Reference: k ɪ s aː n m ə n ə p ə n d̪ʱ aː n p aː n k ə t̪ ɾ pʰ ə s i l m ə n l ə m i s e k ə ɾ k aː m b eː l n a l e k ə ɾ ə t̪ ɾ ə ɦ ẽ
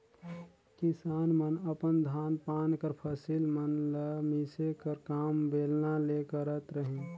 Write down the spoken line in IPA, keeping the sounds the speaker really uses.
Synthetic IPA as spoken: k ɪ s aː n m ə n ə p ə n d̪ʱ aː n p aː n k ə ɾ pʰ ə s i l m ə n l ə m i s e k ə ɾ k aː m b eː l n a l e k ə ɾ ə t̪ ɾ ə ɦ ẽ